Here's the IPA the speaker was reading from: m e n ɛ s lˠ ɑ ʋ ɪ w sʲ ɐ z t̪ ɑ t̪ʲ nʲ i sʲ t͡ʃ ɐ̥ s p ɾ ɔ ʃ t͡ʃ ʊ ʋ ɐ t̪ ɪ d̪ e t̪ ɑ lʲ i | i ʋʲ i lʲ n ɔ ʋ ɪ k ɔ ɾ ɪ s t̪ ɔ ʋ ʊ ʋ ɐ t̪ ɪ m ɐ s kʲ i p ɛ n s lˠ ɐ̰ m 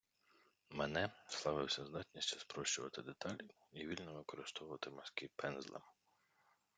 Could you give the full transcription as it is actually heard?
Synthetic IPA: m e n ɛ s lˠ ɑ ʋ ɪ w sʲ ɐ z d̪ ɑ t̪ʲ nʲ i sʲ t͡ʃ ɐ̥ s p ɾ ɔ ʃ t͡ʃ ʊ ʋ ɐ t̪ ɪ d̪ e t̪ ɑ lʲ i | i ʋʲ i lʲ n ɔ ʋ ɪ k ɔ ɾ ɪ s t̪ ɔ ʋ ʊ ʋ ɐ t̪ ɪ m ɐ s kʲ i p ɛ n z lˠ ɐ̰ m